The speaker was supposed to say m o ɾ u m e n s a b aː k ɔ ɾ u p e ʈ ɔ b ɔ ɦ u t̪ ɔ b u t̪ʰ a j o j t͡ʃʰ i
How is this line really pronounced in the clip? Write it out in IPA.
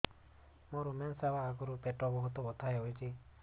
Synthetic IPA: m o ɾ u m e n s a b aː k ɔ ɾ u p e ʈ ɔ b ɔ ɦ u t̪ ɔ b ɔ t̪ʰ a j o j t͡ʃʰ i